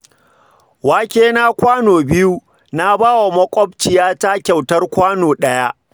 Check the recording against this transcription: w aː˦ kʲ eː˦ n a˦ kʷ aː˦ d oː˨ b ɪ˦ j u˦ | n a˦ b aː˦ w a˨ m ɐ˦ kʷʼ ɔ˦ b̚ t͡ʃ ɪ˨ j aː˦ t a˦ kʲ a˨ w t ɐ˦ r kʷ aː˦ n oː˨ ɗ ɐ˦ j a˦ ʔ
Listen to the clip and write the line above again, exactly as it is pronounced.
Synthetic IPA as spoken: w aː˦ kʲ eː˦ n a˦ kʷ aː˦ n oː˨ b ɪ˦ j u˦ | n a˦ b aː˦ w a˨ m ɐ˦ kʷʼ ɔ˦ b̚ t͡ʃ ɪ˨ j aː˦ t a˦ kʲ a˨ w t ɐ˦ r kʷ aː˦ n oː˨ ɗ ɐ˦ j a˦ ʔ